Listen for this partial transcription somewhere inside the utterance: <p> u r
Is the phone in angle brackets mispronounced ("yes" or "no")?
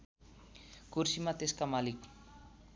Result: yes